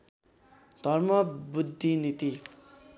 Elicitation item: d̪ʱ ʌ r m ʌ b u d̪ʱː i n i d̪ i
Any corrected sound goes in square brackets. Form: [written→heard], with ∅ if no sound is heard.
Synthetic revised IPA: d̪ʱ ʌ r m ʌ b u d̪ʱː i n i [d̪→t̪] i